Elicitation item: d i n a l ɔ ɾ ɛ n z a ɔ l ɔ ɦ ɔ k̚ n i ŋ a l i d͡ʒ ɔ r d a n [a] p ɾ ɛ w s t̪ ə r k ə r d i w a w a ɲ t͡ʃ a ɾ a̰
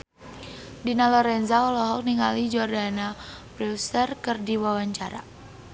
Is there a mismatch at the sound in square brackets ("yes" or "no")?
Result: no